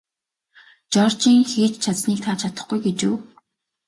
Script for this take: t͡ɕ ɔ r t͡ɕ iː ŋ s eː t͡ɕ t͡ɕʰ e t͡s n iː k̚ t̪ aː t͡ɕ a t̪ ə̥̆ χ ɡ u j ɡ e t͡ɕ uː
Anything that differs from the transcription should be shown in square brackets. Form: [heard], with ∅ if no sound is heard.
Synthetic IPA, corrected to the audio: t͡ɕ ɔ r t͡ɕ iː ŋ [x] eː t͡ɕ t͡ɕʰ [a] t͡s n iː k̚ [t̪ʰ] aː [t͡ɕʰ] a t̪ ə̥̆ χ ɡ u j ɡ e t͡ɕ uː

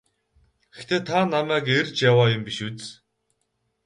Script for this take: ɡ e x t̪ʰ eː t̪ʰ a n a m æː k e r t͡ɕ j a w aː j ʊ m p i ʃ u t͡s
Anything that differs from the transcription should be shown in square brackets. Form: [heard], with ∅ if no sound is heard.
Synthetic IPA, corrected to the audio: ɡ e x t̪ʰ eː t̪ʰ a n a m æː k e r t͡ɕ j a w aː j ʊ m p i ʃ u t͡s

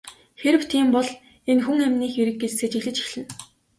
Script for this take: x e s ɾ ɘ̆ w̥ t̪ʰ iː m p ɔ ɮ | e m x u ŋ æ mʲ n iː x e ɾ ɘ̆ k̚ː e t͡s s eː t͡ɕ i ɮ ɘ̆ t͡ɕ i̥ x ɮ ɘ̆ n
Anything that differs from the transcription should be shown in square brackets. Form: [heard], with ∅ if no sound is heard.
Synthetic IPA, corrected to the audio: x e [∅] ɾ ɘ̆ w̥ t̪ʰ iː m p ɔ ɮ | e [n] x u ŋ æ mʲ n iː x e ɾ ɘ̆ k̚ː e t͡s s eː t͡ɕ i ɮ ɘ̆ t͡ɕ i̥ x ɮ ɘ̆ n

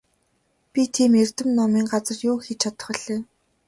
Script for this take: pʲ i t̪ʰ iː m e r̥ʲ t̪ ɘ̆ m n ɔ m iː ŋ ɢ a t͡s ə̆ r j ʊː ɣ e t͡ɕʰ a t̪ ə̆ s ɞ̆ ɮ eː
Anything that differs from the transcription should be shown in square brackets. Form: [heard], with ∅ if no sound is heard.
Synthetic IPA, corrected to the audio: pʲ i t̪ʰ iː m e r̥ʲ t̪ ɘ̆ m n ɔ m iː ŋ ɢ a t͡s ə̆ r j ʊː [x] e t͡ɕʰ a t̪ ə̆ [χ] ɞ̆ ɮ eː

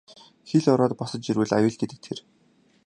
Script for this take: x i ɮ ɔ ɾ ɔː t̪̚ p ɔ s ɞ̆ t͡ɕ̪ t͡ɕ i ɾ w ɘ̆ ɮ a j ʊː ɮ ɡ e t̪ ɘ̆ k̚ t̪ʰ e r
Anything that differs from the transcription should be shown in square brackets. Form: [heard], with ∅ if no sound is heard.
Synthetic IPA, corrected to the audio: x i ɮ ɔ ɾ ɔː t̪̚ p ɔ s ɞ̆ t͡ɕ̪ t͡ɕ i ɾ w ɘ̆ ɮ a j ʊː ɮ ɡ e t̪ ɘ̆ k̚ t̪ʰ e r

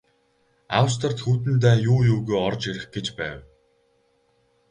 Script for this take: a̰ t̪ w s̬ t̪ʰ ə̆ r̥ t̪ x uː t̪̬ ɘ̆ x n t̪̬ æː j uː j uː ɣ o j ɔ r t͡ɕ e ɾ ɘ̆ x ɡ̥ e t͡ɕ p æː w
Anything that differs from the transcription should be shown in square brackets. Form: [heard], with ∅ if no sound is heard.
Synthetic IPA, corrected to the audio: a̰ [∅] w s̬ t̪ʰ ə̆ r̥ t̪ x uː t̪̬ ɘ̆ [∅] n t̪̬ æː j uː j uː ɣ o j ɔ r t͡ɕ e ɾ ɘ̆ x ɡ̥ e t͡ɕ p æː w

